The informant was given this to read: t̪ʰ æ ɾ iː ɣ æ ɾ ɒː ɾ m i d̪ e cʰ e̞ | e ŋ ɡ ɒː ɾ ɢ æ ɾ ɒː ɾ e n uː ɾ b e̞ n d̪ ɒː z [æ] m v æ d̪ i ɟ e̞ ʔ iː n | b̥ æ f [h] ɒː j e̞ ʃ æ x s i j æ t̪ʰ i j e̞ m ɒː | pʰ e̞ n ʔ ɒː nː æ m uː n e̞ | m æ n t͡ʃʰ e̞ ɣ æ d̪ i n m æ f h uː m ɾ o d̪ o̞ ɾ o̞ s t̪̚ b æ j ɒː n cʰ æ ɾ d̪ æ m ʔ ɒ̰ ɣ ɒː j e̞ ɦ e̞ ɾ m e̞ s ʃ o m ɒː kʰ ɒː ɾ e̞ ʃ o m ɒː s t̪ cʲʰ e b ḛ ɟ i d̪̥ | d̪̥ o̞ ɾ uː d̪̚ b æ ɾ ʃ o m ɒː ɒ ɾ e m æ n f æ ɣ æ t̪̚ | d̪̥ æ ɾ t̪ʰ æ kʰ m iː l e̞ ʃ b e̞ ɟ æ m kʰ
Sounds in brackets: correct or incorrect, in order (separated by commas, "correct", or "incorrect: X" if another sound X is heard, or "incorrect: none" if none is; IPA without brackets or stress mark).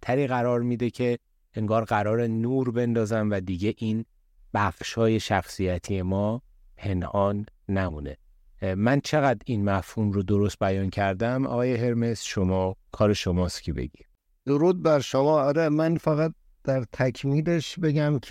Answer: correct, incorrect: ʃ